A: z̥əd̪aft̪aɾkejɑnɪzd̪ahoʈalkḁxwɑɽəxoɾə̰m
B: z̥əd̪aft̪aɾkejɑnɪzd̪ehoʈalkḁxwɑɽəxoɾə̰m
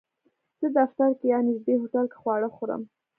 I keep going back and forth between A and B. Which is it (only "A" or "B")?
B